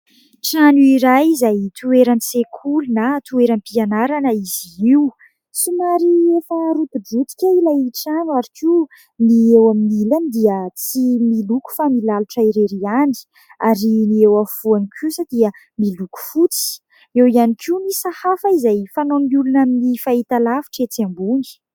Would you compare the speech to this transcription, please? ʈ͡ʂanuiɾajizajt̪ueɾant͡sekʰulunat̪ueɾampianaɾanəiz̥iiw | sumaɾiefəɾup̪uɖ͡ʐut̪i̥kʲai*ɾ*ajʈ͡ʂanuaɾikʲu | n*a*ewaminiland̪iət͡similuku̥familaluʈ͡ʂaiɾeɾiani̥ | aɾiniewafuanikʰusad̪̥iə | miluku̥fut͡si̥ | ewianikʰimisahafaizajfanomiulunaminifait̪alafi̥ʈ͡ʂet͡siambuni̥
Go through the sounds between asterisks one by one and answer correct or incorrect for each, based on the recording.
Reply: incorrect: l, incorrect: i

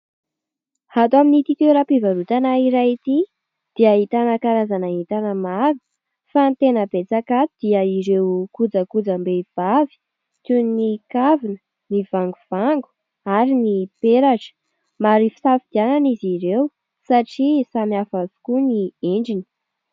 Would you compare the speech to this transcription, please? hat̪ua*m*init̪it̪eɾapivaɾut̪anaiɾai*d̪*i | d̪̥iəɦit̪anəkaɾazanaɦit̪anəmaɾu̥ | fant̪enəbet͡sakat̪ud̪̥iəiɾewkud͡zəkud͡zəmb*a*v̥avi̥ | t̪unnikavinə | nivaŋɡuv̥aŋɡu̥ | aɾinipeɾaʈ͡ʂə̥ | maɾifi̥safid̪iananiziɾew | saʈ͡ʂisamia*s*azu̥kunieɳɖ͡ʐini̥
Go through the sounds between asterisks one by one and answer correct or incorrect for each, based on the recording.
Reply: correct, incorrect: t̪, incorrect: e, incorrect: f

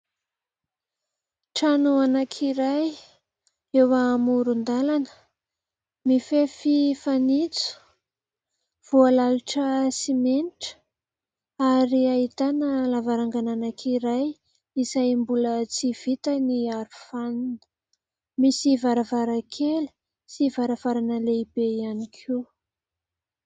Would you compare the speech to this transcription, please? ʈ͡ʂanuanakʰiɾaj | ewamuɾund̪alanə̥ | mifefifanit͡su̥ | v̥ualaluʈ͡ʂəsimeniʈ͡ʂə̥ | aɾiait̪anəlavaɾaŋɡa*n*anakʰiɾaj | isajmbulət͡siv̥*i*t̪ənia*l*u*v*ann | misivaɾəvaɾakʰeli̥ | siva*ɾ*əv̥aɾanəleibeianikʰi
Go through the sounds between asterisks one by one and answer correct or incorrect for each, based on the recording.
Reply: correct, correct, incorrect: ɾ, incorrect: f, correct

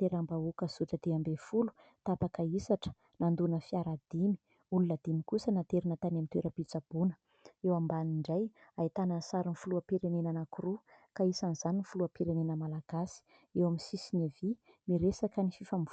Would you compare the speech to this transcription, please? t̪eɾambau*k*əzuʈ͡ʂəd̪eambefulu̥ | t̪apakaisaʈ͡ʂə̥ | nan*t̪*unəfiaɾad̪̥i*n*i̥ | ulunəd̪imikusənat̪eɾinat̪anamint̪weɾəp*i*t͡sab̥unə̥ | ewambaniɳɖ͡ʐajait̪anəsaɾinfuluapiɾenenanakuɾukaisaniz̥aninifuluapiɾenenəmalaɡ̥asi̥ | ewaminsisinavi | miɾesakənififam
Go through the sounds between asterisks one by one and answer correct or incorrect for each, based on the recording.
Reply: correct, incorrect: d̪, incorrect: m, correct

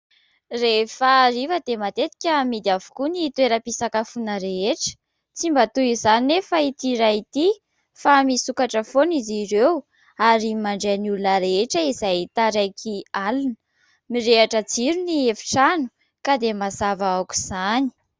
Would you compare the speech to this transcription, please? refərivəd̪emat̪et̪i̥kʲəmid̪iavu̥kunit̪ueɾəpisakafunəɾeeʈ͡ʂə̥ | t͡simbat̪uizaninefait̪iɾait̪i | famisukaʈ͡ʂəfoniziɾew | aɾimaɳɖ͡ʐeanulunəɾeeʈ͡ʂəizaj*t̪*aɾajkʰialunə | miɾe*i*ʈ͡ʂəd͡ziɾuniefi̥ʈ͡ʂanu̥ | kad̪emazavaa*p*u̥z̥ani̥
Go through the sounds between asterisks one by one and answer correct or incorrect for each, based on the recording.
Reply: correct, incorrect: a, incorrect: k

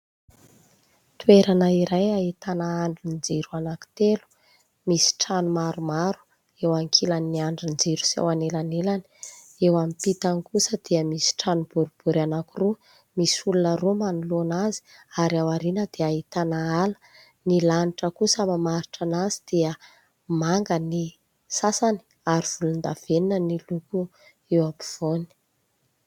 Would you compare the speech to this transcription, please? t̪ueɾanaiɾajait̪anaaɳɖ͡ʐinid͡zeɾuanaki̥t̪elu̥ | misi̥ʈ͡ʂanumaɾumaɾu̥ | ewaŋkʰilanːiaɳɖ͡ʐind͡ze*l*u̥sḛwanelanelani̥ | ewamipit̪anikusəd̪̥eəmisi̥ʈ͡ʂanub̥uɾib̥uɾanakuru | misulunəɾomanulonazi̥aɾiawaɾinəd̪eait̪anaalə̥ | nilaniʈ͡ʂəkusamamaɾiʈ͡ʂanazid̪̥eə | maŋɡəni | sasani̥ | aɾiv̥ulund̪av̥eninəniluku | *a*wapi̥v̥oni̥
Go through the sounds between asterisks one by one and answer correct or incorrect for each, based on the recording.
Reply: incorrect: ɾ, incorrect: e

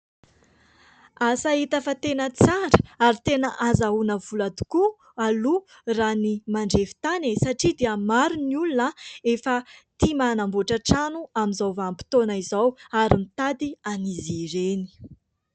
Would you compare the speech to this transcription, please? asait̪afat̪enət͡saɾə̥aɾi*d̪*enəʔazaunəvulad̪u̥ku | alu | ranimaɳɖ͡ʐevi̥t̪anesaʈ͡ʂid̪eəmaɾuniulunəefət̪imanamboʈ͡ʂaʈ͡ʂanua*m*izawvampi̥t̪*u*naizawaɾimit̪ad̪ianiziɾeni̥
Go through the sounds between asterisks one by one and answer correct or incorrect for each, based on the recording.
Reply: incorrect: t̪, correct, incorrect: o

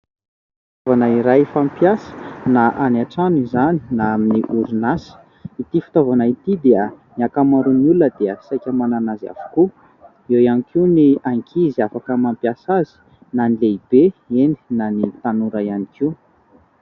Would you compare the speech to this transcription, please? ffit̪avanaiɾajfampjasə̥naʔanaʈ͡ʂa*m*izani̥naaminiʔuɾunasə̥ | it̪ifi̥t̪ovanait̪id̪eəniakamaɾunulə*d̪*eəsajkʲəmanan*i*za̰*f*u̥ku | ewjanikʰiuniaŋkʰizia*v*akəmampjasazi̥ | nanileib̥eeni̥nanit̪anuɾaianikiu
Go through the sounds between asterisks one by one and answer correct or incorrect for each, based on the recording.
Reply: incorrect: n, correct, incorrect: a, incorrect: v, incorrect: f

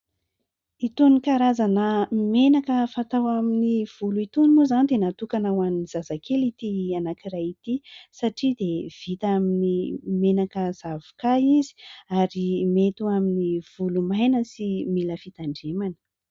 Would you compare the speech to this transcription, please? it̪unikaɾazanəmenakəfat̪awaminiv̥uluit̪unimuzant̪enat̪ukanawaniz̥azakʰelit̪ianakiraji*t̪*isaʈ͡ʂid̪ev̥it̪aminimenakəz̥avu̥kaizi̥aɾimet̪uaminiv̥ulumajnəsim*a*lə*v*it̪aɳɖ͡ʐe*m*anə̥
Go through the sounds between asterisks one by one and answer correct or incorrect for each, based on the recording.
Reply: correct, incorrect: i, incorrect: f, correct

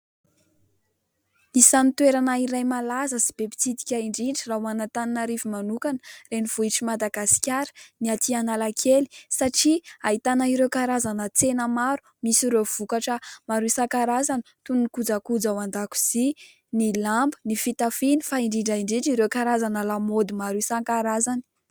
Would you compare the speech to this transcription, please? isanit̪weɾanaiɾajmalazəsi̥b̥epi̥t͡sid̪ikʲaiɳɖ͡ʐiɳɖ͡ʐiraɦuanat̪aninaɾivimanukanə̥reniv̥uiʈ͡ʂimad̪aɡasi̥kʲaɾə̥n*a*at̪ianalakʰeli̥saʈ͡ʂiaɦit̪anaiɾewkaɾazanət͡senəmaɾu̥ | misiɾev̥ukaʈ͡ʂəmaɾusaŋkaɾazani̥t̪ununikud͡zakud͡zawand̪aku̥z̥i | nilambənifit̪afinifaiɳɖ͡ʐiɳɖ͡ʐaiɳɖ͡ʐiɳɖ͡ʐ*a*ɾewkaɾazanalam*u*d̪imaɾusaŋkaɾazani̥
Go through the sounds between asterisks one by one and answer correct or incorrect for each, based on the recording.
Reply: incorrect: i, incorrect: i, incorrect: o

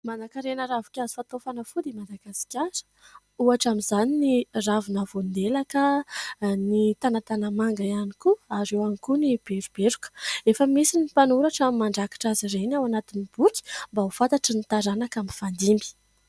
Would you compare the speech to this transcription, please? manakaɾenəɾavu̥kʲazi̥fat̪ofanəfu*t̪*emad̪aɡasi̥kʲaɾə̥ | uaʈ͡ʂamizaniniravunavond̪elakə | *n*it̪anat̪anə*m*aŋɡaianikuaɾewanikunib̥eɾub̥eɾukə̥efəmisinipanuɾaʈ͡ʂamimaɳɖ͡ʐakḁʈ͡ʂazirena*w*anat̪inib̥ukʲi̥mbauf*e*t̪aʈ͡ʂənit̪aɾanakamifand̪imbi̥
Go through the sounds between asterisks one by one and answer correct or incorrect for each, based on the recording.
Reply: incorrect: d̪, correct, correct, correct, incorrect: a

